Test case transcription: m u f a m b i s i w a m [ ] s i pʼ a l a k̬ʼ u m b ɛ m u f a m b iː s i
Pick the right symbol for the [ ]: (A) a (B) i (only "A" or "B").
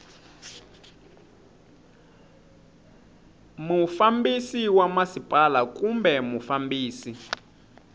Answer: A